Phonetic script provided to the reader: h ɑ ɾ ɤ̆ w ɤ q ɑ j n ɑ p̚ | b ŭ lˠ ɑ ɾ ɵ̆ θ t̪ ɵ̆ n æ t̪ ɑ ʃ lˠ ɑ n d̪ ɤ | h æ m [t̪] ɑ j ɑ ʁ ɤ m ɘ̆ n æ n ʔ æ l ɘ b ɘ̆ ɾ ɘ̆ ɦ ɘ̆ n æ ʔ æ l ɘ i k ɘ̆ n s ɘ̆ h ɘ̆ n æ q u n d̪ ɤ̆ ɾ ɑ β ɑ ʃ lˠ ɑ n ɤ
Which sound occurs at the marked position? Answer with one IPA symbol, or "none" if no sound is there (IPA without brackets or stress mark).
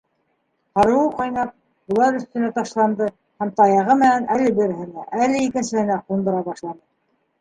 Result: t̪